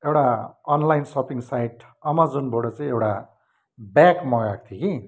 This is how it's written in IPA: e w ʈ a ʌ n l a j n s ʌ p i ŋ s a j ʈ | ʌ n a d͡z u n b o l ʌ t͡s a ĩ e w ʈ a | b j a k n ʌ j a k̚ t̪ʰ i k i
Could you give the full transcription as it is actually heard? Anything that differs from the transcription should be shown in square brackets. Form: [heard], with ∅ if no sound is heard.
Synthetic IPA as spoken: e w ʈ a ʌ n l a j n s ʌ p i ŋ s a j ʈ | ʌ [m] a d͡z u n b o [ɽ] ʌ t͡s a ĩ e w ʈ a | b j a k [m] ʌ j a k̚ t̪ʰ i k i